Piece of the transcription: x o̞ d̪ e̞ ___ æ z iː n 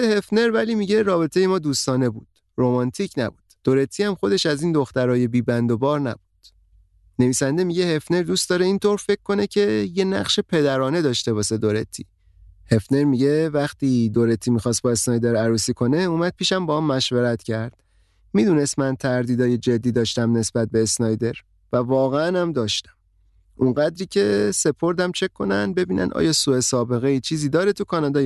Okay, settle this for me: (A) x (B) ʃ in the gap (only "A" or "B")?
B